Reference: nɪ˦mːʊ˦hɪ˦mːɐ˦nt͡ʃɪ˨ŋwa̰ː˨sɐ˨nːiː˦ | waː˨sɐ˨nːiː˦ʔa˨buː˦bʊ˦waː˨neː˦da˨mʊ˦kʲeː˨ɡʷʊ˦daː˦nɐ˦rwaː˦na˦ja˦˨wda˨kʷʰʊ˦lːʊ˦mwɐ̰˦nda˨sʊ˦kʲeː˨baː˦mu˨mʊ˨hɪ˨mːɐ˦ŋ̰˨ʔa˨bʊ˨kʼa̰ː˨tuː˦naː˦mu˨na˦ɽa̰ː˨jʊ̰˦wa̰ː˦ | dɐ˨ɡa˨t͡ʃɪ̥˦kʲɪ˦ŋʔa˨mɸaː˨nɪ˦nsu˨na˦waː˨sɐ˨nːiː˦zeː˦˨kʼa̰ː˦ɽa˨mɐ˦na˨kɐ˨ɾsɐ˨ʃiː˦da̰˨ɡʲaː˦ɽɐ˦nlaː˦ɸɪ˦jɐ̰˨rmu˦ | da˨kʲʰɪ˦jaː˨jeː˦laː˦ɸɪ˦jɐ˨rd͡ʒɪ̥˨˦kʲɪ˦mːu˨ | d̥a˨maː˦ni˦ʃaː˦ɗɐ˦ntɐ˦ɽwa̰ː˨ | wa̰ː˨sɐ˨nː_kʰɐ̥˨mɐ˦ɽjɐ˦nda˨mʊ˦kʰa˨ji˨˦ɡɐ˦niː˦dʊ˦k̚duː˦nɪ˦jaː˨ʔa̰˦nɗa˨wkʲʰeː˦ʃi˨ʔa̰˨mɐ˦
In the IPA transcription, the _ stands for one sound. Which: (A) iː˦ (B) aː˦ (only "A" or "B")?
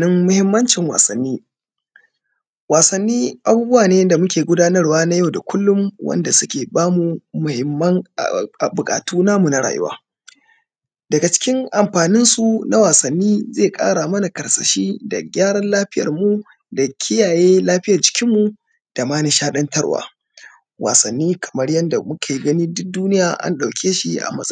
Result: A